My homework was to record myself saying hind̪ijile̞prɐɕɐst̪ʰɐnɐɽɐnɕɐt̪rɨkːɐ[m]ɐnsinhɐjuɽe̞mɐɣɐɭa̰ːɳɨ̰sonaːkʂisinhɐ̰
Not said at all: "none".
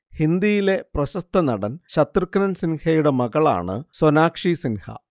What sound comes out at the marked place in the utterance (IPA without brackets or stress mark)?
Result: n